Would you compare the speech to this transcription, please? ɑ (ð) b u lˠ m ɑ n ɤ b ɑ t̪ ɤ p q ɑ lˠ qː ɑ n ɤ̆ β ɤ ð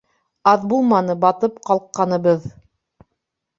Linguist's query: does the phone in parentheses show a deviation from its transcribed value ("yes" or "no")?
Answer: no